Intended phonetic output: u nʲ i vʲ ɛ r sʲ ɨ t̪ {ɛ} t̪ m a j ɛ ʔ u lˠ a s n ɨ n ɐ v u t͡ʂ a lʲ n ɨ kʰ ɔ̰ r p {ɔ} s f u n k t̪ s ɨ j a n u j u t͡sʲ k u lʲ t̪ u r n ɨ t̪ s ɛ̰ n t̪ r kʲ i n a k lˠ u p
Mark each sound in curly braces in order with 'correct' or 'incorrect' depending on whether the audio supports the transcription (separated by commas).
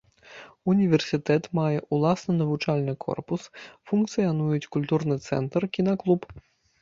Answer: correct, incorrect